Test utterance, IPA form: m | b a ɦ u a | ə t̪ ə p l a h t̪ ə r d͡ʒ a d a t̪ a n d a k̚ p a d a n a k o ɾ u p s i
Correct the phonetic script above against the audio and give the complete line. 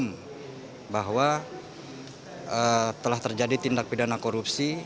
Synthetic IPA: m | b a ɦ w a | ə t̪ ə l a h t̪ ə r d͡ʒ a d i t̪ i n d a k̚ p i d a n a k o ɾ u p s i